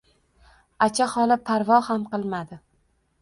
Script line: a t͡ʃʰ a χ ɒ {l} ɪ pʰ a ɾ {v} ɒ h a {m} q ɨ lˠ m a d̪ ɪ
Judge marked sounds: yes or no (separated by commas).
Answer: yes, yes, yes